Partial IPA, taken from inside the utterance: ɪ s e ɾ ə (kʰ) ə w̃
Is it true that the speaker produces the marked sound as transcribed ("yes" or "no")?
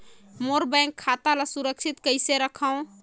yes